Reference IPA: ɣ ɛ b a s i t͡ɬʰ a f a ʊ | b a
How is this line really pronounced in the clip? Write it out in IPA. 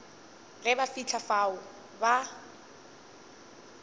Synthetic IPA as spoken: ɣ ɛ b a f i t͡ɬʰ a f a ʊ | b a